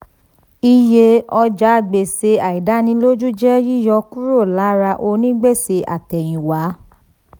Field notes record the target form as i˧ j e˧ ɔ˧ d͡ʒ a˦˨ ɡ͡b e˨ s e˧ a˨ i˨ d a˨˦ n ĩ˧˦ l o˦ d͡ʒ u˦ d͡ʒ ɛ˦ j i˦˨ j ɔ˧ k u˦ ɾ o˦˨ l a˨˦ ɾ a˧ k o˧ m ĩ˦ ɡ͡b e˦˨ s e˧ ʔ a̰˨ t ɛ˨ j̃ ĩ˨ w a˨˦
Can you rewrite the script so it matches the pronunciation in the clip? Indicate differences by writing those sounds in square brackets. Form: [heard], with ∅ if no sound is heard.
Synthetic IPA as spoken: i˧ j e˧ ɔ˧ d͡ʒ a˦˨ ɡ͡b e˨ s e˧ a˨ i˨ d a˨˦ n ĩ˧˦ l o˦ d͡ʒ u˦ d͡ʒ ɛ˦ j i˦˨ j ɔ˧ k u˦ ɾ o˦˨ l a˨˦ ɾ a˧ [ʔ] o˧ [n] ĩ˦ ɡ͡b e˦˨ s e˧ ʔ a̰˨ t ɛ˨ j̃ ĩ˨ w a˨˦